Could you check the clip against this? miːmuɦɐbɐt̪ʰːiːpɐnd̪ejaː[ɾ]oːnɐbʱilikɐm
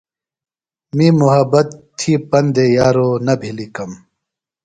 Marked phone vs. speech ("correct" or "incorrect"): correct